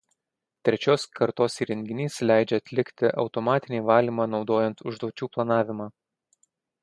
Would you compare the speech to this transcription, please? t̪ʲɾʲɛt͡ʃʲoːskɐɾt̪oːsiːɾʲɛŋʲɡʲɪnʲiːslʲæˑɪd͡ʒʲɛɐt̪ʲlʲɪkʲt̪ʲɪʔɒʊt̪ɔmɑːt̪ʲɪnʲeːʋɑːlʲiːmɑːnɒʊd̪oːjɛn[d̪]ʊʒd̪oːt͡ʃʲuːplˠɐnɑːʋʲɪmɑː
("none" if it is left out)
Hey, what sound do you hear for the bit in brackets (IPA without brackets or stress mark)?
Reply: t̪